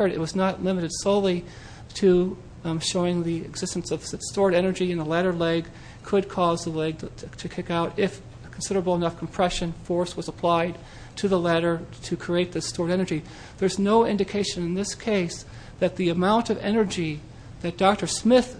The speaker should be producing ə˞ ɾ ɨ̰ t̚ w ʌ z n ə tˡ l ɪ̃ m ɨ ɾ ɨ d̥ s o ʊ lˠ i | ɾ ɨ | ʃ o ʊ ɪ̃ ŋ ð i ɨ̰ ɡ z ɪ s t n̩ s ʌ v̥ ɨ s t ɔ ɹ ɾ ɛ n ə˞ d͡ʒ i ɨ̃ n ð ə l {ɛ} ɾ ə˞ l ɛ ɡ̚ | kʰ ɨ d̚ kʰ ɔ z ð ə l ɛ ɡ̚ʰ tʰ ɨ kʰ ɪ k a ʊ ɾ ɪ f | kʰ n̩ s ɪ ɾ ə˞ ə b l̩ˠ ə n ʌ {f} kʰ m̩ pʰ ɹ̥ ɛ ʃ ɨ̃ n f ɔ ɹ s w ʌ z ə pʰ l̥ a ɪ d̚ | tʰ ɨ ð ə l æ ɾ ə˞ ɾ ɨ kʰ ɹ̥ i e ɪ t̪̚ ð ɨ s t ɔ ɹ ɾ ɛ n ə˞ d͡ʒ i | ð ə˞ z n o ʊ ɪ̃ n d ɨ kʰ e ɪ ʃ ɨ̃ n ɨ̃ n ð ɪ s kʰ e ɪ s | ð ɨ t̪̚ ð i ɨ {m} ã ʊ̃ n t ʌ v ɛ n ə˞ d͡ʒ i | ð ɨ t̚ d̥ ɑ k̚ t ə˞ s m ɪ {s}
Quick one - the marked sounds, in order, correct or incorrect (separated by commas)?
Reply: incorrect, correct, correct, incorrect